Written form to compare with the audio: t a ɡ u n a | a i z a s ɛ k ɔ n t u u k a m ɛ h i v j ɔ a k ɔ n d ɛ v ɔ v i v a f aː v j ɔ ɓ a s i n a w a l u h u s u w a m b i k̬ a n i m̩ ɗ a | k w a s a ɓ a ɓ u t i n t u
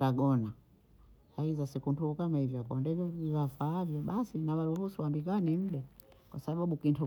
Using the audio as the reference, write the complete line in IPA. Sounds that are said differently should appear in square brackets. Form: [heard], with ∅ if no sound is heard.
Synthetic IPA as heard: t a ɡ [ɔ] n a | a i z a s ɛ k [u] n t u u k a m [a] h i v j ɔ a k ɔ n d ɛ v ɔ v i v a f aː v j ɔ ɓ a s i n a w a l u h u s u w a m b i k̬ a n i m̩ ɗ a | k w a s a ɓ a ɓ u [k] i n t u